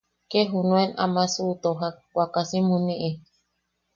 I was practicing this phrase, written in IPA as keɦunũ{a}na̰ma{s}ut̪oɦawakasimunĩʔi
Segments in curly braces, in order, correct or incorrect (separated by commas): incorrect, correct